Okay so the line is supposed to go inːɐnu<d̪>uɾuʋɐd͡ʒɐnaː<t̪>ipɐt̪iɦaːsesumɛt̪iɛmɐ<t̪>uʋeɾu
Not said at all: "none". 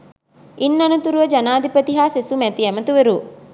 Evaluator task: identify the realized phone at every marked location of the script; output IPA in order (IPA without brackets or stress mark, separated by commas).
t̪, d̪, t̪